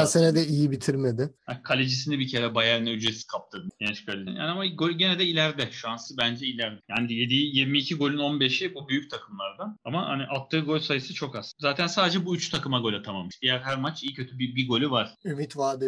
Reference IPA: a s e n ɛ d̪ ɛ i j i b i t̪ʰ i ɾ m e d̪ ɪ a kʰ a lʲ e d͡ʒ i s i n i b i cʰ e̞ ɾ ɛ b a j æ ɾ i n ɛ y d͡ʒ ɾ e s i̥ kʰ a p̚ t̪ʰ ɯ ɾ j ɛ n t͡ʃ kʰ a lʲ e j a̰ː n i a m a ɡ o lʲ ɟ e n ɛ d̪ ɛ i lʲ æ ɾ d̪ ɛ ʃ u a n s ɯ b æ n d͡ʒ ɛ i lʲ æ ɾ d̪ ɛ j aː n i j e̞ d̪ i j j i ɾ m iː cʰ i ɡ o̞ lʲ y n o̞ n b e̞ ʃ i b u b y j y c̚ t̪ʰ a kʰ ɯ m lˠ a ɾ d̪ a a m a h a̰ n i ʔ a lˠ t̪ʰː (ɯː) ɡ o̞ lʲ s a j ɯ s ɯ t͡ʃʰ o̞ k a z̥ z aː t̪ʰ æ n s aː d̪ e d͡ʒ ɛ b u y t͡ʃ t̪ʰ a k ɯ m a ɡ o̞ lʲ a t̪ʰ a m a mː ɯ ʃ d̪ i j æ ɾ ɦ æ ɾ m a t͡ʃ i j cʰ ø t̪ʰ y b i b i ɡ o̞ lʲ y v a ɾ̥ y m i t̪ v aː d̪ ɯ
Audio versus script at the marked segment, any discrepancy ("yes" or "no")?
no